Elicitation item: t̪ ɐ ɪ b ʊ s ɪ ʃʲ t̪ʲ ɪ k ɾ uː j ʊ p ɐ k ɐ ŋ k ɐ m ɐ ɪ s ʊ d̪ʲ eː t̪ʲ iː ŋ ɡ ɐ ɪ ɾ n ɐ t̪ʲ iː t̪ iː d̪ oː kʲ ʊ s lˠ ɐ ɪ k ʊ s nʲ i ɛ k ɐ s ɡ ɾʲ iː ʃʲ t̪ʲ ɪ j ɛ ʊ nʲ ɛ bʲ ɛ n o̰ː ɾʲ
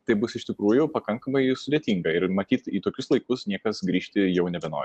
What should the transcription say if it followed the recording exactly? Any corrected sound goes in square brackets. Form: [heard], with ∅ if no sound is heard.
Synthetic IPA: t̪ ɐ ɪ b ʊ s ɪ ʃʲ t̪ʲ ɪ k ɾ uː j ʊ p ɐ k ɐ ŋ k ɐ m ɐ ɪ s ʊ d̪ʲ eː t̪ʲ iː ŋ ɡ ɐ ɪ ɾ [m] ɐ t̪ʲ iː t̪ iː [t̪] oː kʲ ʊ s lˠ ɐ ɪ k ʊ s nʲ i ɛ k ɐ s ɡ ɾʲ iː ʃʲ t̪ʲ ɪ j ɛ ʊ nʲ ɛ bʲ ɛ n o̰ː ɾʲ